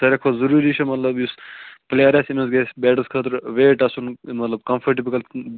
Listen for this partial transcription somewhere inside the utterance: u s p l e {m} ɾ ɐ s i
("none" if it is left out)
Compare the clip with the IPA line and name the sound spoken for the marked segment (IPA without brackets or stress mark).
none